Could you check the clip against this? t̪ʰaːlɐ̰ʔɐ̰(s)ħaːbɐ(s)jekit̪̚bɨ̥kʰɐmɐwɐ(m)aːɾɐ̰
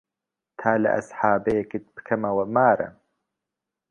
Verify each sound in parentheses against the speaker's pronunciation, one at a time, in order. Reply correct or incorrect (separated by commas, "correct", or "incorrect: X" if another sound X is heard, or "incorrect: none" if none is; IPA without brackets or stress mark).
correct, incorrect: none, correct